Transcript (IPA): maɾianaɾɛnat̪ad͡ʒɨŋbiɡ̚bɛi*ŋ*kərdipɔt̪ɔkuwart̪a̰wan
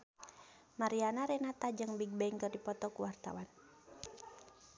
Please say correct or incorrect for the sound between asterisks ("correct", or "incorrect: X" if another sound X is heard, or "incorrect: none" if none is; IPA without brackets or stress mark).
correct